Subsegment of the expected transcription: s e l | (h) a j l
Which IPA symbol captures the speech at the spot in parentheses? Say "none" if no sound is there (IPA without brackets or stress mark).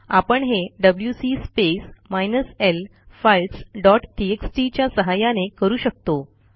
f